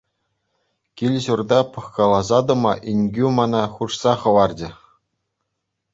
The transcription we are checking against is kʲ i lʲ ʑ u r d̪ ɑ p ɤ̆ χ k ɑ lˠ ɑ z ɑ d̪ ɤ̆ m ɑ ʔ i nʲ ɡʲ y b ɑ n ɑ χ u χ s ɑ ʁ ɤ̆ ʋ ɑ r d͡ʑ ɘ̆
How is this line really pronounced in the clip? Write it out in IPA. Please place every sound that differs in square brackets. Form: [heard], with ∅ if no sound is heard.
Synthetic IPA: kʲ i lʲ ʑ u r d̪ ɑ p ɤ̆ χ k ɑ lˠ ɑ z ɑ d̪ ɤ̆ m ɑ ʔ i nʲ ɡʲ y [m] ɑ n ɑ χ u [ʂ] s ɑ [χ] ɤ̆ ʋ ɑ r d͡ʑ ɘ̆